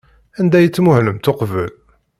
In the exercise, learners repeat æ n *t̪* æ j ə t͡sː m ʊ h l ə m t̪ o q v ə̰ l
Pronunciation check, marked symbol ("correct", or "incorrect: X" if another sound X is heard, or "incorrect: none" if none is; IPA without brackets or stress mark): incorrect: d̪